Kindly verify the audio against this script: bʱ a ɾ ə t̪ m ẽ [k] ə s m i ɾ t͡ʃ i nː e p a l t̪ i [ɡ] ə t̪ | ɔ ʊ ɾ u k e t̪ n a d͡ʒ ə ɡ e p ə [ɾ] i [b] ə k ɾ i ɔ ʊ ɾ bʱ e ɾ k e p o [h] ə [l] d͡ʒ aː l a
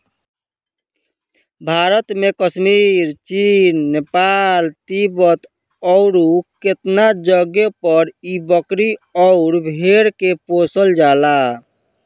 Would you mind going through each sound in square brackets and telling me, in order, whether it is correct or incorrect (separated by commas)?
correct, incorrect, correct, correct, incorrect, correct